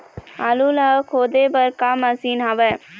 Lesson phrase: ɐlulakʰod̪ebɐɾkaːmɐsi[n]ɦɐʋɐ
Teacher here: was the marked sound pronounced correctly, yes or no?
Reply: yes